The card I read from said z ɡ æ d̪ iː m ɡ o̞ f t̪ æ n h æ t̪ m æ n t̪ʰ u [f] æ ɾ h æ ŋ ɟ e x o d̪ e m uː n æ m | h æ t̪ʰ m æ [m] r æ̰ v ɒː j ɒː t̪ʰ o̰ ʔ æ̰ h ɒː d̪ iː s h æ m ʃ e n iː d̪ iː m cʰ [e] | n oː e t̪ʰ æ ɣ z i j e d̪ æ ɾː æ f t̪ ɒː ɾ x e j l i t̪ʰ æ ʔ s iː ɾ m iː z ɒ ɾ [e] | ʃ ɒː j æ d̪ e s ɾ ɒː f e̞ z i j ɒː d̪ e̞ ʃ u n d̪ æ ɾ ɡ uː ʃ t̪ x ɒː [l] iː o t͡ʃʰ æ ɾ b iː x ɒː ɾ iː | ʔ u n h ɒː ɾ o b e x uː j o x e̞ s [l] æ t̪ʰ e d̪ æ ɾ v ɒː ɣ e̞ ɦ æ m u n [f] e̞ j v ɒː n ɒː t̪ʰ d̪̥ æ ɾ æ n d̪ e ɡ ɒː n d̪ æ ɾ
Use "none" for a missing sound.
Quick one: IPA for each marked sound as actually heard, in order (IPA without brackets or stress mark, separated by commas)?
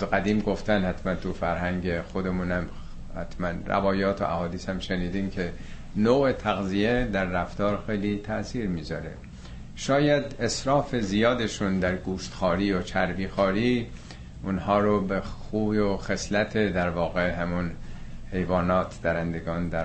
f, n, e, e, ɾ, l, h